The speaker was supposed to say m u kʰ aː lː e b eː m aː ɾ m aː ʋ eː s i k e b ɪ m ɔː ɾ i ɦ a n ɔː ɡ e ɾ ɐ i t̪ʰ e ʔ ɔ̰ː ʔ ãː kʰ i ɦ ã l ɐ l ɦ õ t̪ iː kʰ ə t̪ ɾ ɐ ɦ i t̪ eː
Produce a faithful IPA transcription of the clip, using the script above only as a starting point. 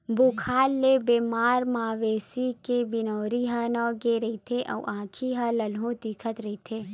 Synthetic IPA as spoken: b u kʰ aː lː e b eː m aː ɾ m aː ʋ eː s i k e b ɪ n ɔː ɾ i ɦ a n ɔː ɡ e ɾ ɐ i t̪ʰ e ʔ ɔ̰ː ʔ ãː kʰ i ɦ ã l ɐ l ɦ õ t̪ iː kʰ ə t̪ ɾ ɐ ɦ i t̪ʰ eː